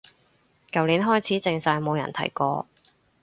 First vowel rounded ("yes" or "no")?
no